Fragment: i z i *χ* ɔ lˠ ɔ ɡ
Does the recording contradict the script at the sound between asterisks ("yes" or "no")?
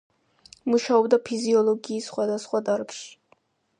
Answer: yes